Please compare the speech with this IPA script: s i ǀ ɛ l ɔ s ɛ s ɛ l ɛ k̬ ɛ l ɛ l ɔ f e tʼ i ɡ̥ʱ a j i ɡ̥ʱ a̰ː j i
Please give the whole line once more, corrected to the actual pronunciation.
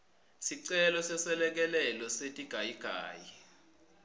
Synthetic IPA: s i ǀ ɛ l ɔ s ɛ s ɛ l ɛ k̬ ɛ l ɛ l ɔ s e tʼ i ɡ̥ʱ a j i ɡ̥ʱ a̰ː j i